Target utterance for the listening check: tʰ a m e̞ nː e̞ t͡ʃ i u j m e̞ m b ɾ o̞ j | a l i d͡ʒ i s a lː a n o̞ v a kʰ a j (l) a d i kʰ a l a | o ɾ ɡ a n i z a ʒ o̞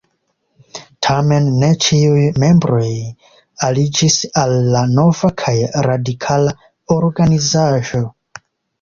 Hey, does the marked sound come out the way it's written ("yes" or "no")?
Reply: no